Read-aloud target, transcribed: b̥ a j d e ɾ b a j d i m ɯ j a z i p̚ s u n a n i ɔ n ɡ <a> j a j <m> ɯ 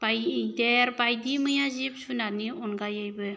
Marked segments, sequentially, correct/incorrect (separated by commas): correct, incorrect